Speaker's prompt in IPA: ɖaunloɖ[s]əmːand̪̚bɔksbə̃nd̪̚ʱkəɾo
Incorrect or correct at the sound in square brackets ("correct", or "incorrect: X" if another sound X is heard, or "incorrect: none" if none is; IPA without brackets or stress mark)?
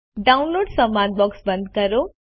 correct